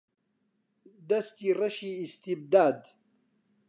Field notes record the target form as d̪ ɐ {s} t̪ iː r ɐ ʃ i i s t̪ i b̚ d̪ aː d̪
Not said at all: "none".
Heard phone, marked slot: s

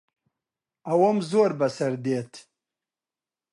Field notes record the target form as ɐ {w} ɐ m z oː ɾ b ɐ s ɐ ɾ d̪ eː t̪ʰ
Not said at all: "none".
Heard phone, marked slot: w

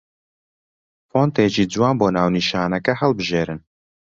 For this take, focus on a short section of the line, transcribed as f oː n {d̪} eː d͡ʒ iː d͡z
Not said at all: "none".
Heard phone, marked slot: t̪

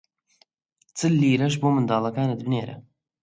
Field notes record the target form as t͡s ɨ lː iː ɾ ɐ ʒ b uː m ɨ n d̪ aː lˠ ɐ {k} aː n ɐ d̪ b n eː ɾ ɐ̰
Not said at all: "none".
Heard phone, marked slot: k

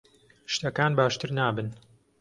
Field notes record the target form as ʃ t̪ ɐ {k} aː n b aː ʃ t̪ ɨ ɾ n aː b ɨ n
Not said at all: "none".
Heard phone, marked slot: k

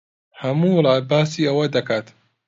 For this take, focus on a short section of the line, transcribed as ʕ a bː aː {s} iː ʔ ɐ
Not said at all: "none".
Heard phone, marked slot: s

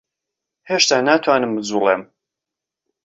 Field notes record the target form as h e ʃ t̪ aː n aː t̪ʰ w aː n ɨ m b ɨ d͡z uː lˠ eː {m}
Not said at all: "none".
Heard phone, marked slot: m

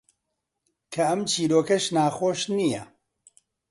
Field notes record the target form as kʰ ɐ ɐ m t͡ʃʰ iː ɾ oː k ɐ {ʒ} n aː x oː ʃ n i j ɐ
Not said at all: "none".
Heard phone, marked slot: ʃ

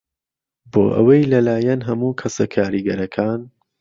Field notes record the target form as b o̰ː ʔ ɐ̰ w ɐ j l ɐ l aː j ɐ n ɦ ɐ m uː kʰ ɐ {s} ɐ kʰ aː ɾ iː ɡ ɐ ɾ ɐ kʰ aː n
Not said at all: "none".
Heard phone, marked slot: s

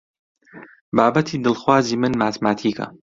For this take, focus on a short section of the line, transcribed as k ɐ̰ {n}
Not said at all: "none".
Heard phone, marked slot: none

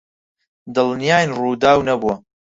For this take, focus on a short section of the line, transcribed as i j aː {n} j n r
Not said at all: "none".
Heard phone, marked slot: none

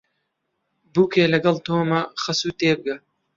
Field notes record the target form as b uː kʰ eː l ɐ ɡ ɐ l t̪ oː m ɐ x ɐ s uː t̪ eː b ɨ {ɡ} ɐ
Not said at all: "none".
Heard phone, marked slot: ɡ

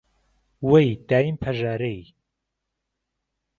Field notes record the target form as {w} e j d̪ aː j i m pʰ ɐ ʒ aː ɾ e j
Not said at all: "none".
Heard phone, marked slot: w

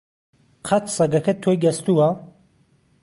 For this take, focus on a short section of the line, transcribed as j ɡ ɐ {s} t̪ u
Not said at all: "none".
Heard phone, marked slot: s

